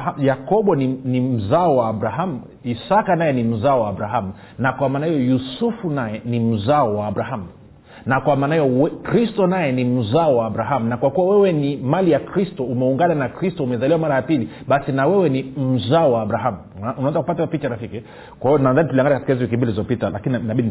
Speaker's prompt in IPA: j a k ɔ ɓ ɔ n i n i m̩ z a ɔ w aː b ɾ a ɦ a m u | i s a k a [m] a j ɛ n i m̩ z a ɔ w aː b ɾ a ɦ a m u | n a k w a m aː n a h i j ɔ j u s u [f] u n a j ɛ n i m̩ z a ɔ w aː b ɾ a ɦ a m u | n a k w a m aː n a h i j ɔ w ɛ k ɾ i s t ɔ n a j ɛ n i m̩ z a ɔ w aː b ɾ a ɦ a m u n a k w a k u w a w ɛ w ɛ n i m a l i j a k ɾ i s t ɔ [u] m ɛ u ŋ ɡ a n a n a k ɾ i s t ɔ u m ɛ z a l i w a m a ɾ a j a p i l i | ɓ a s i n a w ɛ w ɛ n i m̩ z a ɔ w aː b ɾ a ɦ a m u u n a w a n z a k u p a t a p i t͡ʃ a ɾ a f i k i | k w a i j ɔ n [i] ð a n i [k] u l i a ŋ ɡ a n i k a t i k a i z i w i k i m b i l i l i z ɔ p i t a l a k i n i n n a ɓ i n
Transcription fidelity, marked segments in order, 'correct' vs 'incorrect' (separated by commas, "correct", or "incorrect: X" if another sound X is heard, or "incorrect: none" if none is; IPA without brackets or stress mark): incorrect: n, correct, correct, incorrect: a, incorrect: t